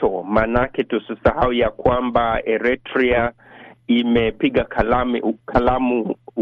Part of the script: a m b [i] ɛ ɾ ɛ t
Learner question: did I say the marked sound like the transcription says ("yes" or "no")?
no